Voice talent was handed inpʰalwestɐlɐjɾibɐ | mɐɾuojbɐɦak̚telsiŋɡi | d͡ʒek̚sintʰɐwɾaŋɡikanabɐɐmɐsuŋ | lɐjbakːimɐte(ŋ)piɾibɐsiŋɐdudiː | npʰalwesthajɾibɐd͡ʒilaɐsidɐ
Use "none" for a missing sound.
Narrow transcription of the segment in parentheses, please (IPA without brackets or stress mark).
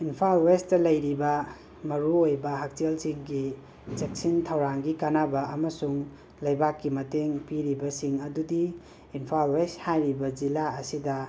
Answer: ŋ